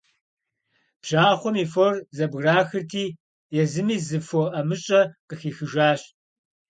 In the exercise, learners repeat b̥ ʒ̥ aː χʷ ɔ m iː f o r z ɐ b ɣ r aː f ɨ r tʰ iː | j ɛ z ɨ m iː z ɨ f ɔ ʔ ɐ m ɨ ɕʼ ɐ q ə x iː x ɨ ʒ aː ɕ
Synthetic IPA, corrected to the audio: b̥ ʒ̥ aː χʷ ɔ m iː f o r z ɐ b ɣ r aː x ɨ r tʰ iː | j ɛ z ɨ m iː z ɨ f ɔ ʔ ɐ m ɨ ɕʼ ɐ q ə x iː x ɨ ʒ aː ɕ